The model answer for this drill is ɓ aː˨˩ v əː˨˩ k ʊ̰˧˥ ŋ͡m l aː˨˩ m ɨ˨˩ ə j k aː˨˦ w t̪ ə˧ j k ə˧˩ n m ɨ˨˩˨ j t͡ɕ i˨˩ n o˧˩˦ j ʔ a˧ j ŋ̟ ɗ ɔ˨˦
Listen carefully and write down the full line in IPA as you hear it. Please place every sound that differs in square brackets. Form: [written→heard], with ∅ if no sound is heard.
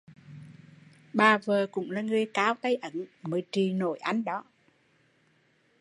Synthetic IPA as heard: ɓ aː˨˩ v əː˨˩ k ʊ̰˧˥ ŋ͡m l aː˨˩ [m→ŋ] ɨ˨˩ ə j k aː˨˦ w t̪ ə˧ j [k→ʔ] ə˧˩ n m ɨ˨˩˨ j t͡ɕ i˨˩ n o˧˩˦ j ʔ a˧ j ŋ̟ ɗ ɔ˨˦

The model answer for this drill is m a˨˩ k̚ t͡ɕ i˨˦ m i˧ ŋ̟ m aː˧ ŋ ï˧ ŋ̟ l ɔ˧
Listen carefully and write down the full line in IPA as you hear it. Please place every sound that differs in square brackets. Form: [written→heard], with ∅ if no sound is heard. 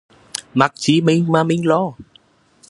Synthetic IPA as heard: m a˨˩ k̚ t͡ɕ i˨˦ m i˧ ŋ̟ m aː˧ [ŋ→m] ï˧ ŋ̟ l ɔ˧

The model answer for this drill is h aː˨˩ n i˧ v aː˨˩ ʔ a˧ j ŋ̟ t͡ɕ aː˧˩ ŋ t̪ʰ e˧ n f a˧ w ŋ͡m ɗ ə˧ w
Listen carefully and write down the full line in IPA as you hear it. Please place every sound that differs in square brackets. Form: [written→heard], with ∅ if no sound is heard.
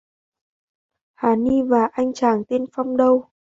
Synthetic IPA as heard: h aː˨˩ n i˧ v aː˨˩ ʔ a˧ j ŋ̟ t͡ɕ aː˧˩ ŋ [t̪ʰ→t̪] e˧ n f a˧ w ŋ͡m ɗ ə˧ w

